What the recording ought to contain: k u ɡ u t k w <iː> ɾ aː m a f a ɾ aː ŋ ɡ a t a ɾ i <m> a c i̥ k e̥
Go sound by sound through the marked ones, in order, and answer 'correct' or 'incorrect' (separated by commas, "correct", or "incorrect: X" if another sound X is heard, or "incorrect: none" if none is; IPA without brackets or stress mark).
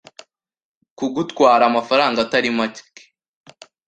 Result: incorrect: aː, correct